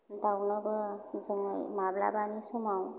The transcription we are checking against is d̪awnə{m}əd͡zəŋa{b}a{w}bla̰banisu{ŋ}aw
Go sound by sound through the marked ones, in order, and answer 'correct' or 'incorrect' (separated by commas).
incorrect, incorrect, incorrect, incorrect